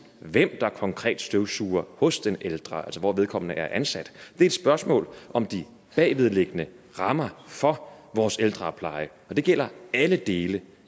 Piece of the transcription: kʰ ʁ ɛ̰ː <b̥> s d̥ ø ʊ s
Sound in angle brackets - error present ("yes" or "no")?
yes